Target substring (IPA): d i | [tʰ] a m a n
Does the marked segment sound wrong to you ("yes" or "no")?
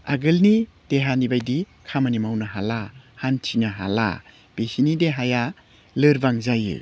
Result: yes